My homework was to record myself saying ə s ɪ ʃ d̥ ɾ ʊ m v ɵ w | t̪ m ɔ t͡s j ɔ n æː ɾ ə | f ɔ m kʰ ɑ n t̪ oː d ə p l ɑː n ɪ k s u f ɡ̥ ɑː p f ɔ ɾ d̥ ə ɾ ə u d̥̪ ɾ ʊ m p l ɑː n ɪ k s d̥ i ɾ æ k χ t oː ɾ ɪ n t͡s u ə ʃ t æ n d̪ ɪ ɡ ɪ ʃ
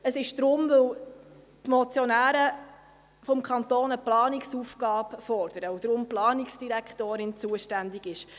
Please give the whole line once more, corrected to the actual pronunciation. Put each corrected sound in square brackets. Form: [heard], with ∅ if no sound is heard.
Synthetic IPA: ə s ɪ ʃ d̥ ɾ ʊ m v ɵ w | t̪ m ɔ t͡s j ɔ n æː ɾ ə | f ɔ m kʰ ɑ n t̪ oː [n] ə p l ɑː n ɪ k s u f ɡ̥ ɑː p f ɔ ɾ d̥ ə ɾ ə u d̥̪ ɾ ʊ m p l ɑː n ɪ k s d̥ i ɾ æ k χ t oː ɾ ɪ n t͡s u ə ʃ t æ n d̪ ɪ ɡ ɪ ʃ